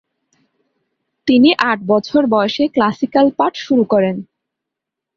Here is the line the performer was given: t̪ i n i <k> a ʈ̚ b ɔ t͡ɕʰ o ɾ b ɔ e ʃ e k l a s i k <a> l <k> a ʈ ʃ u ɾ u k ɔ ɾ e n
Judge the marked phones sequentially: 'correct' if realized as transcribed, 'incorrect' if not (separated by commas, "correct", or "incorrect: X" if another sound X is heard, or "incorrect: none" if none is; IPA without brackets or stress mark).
incorrect: ʔ, correct, incorrect: p